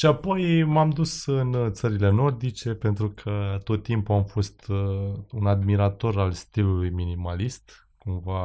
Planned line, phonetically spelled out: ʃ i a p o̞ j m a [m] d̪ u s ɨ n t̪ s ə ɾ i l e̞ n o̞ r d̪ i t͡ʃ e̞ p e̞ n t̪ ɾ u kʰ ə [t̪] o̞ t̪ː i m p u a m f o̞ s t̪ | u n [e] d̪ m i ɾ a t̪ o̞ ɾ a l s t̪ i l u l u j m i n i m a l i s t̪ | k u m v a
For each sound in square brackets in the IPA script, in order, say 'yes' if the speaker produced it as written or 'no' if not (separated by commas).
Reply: yes, yes, no